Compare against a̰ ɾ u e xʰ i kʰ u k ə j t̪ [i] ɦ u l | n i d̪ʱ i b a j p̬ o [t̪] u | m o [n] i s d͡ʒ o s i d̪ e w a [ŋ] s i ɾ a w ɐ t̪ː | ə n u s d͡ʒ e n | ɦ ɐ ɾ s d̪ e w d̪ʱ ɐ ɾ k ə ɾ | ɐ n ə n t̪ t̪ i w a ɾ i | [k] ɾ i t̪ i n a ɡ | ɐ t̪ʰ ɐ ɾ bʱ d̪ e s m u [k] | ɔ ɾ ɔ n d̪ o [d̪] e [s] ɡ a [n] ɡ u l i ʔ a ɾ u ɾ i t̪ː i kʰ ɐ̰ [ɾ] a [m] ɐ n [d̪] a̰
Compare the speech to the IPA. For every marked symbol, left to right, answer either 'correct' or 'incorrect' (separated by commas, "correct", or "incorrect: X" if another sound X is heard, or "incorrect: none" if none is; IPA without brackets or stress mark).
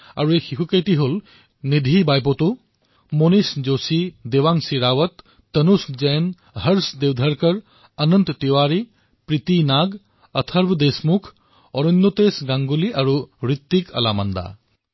correct, correct, correct, correct, incorrect: p, incorrect: kʰ, incorrect: t̪, correct, incorrect: ŋ, incorrect: l, correct, correct